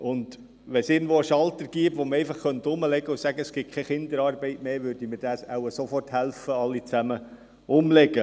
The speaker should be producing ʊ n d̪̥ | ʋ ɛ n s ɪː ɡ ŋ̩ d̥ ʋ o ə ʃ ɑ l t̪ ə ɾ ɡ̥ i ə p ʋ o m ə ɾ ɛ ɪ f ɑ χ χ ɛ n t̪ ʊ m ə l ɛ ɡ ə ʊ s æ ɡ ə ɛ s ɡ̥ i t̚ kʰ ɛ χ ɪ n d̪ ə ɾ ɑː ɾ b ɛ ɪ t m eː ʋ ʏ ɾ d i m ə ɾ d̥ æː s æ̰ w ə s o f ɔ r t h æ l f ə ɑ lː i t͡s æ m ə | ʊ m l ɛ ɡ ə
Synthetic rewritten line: ʊ n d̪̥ | ʋ ɛ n s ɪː ɡ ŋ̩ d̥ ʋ o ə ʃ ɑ l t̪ ə ɾ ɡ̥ i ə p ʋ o m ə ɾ ɛ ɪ f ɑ χ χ œ n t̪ ʊ m ə l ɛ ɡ ə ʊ s æ ɡ ə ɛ s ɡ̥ ɪ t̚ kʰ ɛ χ ɪ n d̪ ə ɾ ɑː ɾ b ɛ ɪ t m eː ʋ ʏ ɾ d i m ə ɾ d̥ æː s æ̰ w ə s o f ɔ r t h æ l f ə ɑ lː i t͡s æ m ə | ʊ m l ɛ ɡ ə